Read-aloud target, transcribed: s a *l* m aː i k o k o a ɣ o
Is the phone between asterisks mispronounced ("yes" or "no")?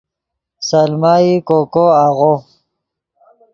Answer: no